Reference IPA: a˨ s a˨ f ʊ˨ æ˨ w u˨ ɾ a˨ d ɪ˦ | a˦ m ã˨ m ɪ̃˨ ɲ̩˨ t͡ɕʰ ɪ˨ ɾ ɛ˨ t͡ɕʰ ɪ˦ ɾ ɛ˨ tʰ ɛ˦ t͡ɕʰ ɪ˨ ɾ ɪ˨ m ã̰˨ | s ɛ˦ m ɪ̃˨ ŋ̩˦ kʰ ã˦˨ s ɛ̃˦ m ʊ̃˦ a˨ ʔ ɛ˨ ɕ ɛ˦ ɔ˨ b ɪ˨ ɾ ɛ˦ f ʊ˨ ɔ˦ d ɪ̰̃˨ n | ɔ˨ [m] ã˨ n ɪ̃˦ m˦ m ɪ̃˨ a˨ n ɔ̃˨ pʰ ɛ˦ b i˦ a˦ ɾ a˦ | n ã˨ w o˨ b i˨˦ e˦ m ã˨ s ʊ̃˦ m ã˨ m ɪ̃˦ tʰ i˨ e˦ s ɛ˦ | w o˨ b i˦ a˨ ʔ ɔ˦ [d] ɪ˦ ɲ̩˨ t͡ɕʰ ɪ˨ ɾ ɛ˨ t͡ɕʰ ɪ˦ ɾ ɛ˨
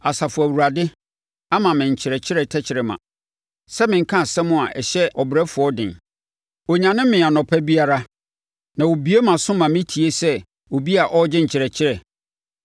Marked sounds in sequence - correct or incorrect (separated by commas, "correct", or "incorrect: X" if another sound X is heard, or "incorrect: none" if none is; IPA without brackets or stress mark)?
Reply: incorrect: ɲ, incorrect: d͡ʑ